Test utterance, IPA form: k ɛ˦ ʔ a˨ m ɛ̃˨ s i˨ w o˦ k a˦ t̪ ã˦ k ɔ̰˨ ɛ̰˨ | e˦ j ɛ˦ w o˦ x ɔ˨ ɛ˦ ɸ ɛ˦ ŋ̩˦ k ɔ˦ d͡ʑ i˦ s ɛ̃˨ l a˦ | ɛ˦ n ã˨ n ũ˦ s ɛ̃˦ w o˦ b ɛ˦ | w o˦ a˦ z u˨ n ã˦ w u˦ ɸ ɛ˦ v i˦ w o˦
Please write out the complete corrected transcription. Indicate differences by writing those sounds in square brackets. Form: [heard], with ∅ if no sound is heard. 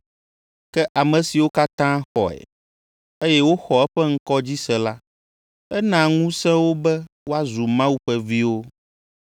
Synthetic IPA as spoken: k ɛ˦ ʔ a˨ m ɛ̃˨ s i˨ w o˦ k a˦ t̪ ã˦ [x] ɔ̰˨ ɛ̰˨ | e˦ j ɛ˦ w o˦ x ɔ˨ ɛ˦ ɸ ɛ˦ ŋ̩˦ k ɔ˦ d͡ʑ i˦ s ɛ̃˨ l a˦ | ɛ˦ n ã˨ [ŋ] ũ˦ s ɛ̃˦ w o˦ b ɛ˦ | w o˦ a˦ z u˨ [m] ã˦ w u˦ ɸ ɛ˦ v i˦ w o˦